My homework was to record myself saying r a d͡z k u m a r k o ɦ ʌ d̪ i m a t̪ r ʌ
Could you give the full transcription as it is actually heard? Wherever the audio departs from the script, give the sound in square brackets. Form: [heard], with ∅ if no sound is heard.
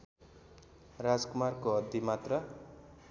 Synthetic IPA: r a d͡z k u m a r k o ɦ ʌ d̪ i m a t̪ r ʌ